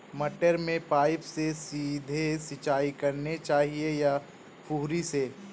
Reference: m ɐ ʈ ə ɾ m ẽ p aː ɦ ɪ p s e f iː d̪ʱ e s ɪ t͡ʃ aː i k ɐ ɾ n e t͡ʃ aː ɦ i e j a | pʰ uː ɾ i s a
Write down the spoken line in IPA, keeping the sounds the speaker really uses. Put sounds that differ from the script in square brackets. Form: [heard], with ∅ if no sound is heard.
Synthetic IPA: m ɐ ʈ ə ɾ m ẽ p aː [∅] ɪ p s e [s] iː d̪ʱ e s ɪ t͡ʃ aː i k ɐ ɾ n e t͡ʃ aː ɦ i e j a | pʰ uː ɾ i s [e]

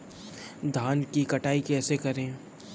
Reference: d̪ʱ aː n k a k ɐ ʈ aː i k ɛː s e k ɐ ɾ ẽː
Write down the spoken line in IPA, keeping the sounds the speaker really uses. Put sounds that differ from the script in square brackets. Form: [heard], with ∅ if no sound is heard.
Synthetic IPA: d̪ʱ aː n k [i] k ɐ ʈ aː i k ɛː s e k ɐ ɾ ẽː

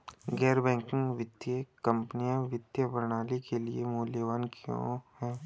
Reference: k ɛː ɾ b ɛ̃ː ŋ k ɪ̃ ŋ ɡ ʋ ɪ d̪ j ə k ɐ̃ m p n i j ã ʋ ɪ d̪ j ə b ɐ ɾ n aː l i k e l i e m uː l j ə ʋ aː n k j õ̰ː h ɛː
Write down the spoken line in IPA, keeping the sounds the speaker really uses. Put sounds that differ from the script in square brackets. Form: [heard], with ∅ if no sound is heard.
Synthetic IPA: [ɡ] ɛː ɾ b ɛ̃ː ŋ k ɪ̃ ŋ ɡ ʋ ɪ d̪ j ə k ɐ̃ m p n i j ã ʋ ɪ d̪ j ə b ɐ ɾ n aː l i k e l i e m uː l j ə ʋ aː n k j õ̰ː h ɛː

